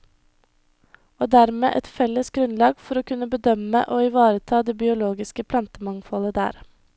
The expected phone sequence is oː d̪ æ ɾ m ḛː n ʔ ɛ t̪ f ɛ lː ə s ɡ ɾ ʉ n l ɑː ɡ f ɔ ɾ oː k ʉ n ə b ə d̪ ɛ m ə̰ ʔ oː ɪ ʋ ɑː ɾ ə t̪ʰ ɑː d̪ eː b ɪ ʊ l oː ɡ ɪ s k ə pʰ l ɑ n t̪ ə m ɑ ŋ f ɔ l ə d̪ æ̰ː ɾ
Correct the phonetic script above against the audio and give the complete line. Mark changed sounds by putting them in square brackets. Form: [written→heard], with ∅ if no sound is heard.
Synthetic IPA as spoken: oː d̪ æ ɾ m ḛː [n→∅] ʔ ɛ t̪ f ɛ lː ə s ɡ ɾ ʉ n l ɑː ɡ f ɔ ɾ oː k ʉ n ə b ə d̪ [ɛ→œ] m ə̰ ʔ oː ɪ ʋ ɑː ɾ ə t̪ʰ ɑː d̪ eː b ɪ ʊ l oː ɡ ɪ s k ə pʰ l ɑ n t̪ ə m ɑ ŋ f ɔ l ə d̪ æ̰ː ɾ

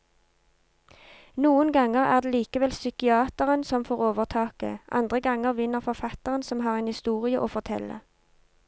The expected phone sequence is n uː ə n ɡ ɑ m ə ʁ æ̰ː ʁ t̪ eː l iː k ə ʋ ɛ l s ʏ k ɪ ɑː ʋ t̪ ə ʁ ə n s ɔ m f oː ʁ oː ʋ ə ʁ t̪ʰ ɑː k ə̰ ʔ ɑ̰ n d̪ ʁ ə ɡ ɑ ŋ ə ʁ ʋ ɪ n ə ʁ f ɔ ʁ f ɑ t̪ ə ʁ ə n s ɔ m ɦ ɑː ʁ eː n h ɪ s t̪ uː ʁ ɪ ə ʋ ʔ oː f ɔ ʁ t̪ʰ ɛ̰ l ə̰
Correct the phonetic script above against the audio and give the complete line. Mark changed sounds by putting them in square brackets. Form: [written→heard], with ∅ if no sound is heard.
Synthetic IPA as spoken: n uː ə n ɡ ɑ [m→ŋ] ə ʁ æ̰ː ʁ [t̪→d̪] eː l iː k ə ʋ ɛ l s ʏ k ɪ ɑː [ʋ→∅] t̪ ə ʁ ə n s ɔ m f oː ʁ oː ʋ ə ʁ t̪ʰ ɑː k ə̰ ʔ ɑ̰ n d̪ ʁ ə ɡ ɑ ŋ ə ʁ ʋ ɪ n ə ʁ f ɔ ʁ f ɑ t̪ ə ʁ ə n s ɔ m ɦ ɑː ʁ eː n h ɪ s t̪ uː ʁ ɪ ə [ʋ→∅] ʔ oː f ɔ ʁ t̪ʰ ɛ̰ l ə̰

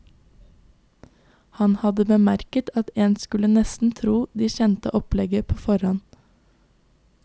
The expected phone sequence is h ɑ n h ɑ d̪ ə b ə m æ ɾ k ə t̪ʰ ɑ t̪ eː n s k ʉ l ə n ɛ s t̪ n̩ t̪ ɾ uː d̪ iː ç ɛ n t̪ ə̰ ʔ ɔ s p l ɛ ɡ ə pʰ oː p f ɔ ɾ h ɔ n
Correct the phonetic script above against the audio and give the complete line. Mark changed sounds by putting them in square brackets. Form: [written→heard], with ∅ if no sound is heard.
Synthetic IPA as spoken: h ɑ n h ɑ d̪ ə b ə m æ ɾ k ə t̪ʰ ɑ t̪ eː n s k ʉ l ə n ɛ s t̪ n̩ [t̪→t̪ʰ] ɾ uː d̪ iː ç ɛ n t̪ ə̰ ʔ ɔ [s→∅] p l ɛ ɡ ə pʰ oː [p→∅] f ɔ ɾ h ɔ n

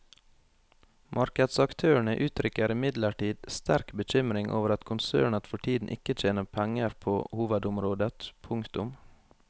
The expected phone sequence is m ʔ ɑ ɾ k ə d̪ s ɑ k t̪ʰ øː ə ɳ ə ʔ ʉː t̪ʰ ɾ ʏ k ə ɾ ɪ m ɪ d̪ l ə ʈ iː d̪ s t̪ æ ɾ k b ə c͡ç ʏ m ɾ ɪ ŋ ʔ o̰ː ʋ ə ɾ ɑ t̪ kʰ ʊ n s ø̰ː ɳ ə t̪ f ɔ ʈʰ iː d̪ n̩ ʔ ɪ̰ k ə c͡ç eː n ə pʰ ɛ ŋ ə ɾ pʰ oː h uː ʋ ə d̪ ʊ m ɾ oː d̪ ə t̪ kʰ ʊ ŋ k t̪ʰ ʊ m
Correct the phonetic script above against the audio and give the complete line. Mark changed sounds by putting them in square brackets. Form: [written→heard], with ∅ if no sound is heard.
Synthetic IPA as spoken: m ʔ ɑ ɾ k ə d̪ s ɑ k t̪ʰ øː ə ɳ ə ʔ ʉː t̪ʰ ɾ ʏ k ə ɾ ɪ m ɪ d̪ l ə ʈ iː d̪ s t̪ æ ɾ k b ə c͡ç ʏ m ɾ ɪ ŋ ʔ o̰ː ʋ ə ɾ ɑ t̪ kʰ ʊ n s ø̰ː ɳ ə t̪ f ɔ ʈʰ iː d̪ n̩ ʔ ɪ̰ k ə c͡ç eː n ə pʰ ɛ ŋ ə ɾ pʰ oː h uː ʋ ə d̪ ʊ m ɾ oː d̪ ə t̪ [kʰ→pʰ] ʊ ŋ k [t̪ʰ→t̪] ʊ m

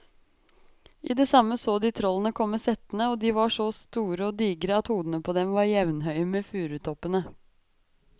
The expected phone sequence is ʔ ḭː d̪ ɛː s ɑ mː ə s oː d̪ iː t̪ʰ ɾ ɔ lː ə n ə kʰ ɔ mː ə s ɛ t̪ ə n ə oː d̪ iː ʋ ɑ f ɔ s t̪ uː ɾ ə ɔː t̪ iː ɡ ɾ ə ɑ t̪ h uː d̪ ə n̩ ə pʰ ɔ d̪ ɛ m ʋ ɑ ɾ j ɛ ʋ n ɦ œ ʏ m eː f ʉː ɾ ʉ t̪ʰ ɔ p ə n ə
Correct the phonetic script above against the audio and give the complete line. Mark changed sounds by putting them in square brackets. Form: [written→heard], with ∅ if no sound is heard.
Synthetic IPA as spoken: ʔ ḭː d̪ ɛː s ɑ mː ə s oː d̪ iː t̪ʰ ɾ ɔ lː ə n ə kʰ ɔ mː ə s ɛ t̪ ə n ə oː d̪ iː ʋ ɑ [f→ʂ] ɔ s t̪ uː ɾ ə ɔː [t̪→d̪] iː ɡ ɾ ə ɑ t̪ h uː d̪ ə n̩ ə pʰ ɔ d̪ ɛ m ʋ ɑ ɾ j ɛ ʋ n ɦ œ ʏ m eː f ʉː ɾ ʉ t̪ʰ ɔ p ə n ə

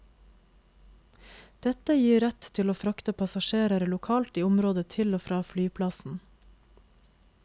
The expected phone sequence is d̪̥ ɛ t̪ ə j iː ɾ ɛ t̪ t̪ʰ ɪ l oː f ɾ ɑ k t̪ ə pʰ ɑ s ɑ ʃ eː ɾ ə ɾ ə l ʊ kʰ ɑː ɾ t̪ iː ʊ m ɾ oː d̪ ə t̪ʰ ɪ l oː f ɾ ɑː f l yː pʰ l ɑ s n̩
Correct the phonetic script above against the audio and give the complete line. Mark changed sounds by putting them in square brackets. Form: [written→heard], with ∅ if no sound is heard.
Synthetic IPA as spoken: d̪̥ ɛ t̪ ə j iː ɾ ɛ t̪ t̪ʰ ɪ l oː f ɾ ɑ k t̪ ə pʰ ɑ s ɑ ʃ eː ɾ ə ɾ ə l ʊ kʰ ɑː [ɾ→l] t̪ iː ʊ m ɾ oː d̪ ə t̪ʰ ɪ l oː f ɾ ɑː f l yː pʰ l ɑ s n̩

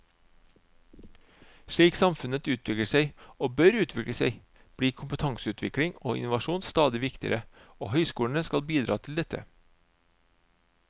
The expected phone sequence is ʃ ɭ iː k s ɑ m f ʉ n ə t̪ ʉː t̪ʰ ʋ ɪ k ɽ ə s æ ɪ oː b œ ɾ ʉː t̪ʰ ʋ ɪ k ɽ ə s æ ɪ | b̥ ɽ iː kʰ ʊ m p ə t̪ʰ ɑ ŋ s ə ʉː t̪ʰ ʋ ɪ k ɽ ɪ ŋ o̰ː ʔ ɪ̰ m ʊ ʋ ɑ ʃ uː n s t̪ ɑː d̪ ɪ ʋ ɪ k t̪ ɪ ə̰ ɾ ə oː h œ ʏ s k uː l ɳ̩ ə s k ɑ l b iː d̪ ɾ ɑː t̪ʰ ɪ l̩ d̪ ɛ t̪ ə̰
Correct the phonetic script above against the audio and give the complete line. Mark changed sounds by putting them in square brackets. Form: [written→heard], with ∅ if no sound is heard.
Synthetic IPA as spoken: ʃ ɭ iː k s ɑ m f ʉ n ə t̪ ʉː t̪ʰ ʋ ɪ k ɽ ə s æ ɪ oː b œ ɾ ʉː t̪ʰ ʋ ɪ k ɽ ə s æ ɪ | b̥ ɽ iː kʰ ʊ m p ə t̪ʰ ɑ ŋ s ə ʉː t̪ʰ ʋ ɪ k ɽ ɪ ŋ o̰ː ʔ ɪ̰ [m→n] ʊ ʋ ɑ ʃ uː n s t̪ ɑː d̪ ɪ ʋ ɪ k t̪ ɪ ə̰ ɾ ə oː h œ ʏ s k uː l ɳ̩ ə s k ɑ l b iː d̪ ɾ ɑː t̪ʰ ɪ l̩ d̪ ɛ t̪ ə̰

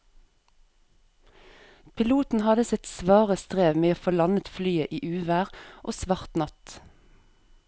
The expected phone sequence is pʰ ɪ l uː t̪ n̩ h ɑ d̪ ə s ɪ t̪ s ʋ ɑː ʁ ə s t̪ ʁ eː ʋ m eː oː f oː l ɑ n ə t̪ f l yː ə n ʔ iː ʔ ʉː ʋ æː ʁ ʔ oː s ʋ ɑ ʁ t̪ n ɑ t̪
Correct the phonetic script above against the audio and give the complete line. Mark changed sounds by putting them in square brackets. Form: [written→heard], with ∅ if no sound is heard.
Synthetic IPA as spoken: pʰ ɪ l uː t̪ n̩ h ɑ d̪ ə s ɪ t̪ s ʋ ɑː ʁ ə s t̪ ʁ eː ʋ m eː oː f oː l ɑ n ə t̪ f l yː ə [n→∅] ʔ iː ʔ ʉː ʋ æː ʁ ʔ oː s ʋ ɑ ʁ t̪ n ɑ t̪

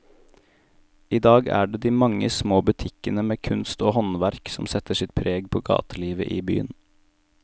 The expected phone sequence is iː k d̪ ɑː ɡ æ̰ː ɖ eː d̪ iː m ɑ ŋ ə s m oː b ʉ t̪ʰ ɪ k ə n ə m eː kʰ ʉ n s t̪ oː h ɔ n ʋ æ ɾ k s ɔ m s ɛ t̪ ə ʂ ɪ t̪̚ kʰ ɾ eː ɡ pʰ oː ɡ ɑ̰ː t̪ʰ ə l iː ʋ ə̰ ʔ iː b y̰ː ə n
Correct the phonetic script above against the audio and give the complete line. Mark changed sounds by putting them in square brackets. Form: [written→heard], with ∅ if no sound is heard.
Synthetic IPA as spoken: iː [k→∅] d̪ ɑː ɡ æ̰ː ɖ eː d̪ iː m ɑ ŋ ə s m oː b ʉ t̪ʰ ɪ k ə n ə m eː kʰ ʉ n s t̪ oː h ɔ n ʋ æ ɾ k s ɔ m s ɛ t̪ ə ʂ ɪ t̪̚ [kʰ→pʰ] ɾ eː ɡ pʰ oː ɡ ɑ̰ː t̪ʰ ə l iː ʋ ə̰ ʔ iː b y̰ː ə n

